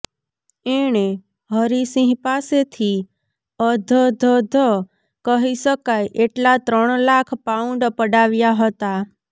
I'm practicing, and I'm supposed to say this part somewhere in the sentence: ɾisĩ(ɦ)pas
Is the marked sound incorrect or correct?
correct